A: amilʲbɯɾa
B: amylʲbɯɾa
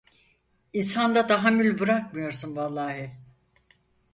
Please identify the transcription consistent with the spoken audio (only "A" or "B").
B